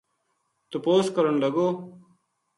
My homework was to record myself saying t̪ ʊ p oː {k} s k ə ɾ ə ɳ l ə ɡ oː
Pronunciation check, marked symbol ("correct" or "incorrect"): incorrect